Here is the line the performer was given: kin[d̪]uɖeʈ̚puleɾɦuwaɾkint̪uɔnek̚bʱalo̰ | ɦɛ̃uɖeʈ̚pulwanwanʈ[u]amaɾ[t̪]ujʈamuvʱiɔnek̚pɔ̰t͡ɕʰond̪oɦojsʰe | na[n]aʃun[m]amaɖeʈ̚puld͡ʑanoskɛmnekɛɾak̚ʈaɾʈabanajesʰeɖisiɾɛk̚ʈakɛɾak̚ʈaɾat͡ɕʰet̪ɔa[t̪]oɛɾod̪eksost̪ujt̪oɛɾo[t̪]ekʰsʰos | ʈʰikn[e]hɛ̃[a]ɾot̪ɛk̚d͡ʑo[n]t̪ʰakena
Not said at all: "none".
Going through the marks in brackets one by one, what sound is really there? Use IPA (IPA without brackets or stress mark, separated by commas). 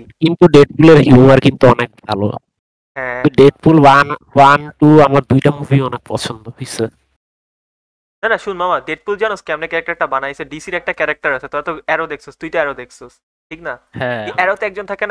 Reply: t̪, u, d̪, n, m, t̪, d̪, a, ɛ, n